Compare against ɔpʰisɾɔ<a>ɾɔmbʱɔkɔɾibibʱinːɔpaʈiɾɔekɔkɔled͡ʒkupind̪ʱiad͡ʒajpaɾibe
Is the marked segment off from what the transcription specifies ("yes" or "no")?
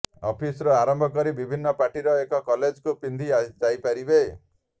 no